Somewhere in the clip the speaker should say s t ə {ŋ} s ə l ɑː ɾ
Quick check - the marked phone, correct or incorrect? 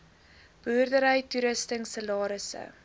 correct